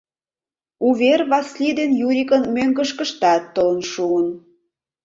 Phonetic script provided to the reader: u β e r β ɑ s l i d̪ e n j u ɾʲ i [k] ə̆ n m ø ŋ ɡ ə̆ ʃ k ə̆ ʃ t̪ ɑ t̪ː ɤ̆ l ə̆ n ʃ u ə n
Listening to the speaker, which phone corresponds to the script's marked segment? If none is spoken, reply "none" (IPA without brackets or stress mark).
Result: k